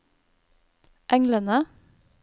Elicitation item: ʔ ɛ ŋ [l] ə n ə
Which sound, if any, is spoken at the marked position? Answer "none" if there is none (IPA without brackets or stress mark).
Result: l